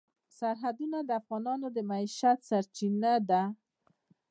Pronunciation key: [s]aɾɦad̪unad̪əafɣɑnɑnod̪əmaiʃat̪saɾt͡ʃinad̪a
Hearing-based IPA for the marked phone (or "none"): s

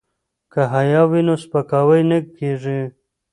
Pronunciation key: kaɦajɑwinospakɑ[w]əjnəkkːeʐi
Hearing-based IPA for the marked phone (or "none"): w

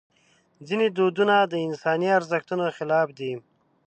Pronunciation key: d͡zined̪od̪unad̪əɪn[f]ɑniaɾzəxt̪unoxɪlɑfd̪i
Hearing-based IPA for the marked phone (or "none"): s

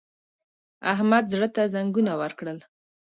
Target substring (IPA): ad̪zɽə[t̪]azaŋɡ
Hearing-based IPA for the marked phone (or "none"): t̪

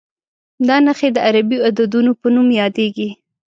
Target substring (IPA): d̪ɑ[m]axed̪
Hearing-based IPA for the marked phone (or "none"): n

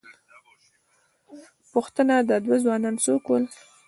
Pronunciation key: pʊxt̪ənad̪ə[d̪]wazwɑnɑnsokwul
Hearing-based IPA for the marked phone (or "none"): d̪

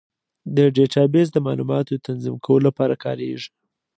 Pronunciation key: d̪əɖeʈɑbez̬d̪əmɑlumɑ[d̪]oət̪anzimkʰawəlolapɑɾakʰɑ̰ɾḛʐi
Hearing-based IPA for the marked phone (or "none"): t̪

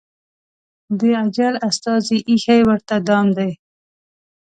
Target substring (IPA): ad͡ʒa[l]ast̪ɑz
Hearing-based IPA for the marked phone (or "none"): l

